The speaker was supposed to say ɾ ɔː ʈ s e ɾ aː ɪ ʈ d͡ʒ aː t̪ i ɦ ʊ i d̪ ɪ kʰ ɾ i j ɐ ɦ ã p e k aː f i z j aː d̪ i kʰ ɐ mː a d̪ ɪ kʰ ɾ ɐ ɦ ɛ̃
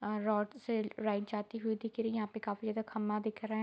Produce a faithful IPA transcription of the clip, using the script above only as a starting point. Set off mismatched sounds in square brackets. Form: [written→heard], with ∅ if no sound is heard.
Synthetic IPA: ɾ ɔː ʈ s e ɾ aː ɪ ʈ d͡ʒ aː t̪ i ɦ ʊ i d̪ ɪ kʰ ɾ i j ɐ ɦ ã p e k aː f i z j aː d̪ [i→a] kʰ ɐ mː a d̪ ɪ kʰ ɾ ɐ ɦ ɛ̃